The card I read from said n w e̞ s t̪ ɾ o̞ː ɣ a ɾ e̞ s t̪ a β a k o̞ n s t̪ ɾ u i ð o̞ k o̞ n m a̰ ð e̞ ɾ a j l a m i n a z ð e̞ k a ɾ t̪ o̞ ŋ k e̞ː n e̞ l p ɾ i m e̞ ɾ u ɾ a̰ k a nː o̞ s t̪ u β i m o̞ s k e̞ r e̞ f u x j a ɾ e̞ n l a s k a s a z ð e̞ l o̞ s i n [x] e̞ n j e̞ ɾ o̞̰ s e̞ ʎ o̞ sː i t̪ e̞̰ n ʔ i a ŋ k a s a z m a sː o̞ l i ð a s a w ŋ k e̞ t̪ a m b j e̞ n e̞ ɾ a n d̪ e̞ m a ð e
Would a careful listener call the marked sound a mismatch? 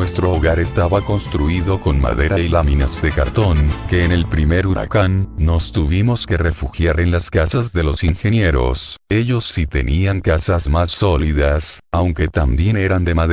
no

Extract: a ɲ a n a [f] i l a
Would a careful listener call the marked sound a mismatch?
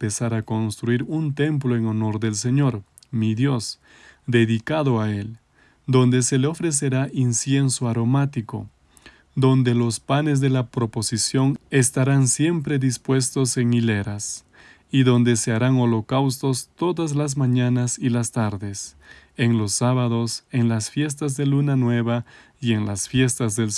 yes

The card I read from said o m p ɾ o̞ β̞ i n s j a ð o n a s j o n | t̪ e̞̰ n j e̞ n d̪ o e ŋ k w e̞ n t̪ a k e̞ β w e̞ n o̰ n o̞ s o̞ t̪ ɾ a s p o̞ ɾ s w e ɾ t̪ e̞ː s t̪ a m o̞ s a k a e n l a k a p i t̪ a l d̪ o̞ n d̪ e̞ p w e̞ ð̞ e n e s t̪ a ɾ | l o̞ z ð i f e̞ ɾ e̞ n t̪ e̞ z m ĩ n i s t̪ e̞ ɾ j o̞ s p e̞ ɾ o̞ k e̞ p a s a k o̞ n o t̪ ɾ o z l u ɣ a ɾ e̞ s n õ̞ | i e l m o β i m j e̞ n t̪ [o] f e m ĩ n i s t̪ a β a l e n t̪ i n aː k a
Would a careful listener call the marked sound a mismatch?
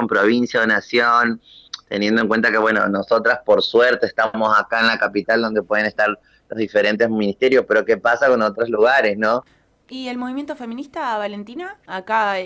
no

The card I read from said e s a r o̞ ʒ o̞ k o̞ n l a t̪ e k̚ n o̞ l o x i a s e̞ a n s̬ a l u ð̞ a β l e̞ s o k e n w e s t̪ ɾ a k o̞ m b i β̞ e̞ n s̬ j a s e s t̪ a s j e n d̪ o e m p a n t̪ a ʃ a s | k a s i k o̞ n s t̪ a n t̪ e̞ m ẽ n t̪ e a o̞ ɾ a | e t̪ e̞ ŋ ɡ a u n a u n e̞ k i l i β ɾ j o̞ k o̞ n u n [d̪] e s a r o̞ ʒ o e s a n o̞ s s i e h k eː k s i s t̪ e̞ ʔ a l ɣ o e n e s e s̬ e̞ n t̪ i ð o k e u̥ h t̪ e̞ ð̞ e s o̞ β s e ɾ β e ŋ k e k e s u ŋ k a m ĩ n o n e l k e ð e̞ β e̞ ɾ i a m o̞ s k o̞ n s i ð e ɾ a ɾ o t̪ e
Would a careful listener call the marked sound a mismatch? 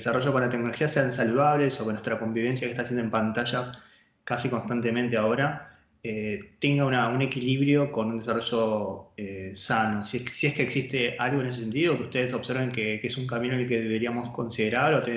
no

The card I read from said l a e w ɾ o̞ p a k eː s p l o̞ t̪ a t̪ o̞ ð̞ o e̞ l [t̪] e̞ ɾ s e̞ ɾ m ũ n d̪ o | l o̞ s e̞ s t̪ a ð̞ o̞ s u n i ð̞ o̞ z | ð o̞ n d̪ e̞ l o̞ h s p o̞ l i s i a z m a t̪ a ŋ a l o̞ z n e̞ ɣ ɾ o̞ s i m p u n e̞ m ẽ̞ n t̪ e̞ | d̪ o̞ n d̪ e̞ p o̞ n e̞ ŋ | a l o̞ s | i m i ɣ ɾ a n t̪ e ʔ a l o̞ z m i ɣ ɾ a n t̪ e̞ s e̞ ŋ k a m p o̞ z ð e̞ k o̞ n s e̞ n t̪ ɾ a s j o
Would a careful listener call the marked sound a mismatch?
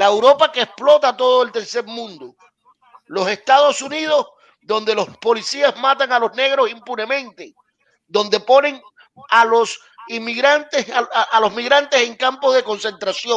no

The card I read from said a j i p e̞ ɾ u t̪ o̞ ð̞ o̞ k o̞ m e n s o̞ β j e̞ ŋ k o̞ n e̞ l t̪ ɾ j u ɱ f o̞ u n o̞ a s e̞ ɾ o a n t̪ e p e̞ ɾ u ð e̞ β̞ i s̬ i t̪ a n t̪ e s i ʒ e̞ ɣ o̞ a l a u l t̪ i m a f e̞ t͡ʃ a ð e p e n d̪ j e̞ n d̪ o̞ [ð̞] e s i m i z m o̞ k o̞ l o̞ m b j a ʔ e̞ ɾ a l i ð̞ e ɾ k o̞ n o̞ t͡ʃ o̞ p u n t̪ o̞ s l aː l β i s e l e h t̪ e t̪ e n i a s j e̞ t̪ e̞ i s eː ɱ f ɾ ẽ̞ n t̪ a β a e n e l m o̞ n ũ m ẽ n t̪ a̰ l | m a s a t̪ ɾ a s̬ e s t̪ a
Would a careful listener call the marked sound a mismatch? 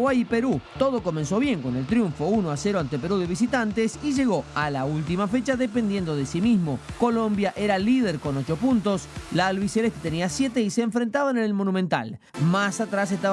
no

